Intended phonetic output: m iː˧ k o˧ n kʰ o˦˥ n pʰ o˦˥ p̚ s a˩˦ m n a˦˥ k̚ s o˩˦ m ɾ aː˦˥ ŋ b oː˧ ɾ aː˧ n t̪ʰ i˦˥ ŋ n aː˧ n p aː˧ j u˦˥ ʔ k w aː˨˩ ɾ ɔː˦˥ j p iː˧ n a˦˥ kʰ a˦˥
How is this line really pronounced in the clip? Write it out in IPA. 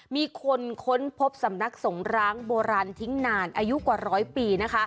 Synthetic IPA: m iː˧ kʰ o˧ n kʰ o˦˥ n pʰ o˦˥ p̚ s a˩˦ m n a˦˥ k̚ s o˩˦ ŋ ɾ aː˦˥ ŋ b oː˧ ɾ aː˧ n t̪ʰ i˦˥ ŋ n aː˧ n ʔ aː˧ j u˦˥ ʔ k w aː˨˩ ɾ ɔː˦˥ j p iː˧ n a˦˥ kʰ a˦˥